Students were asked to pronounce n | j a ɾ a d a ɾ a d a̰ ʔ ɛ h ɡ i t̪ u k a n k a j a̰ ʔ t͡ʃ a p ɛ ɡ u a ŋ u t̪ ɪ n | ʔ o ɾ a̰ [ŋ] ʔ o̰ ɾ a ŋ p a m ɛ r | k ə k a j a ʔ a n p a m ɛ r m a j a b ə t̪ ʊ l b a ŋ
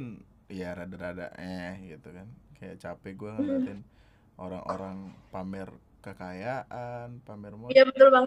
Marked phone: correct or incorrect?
correct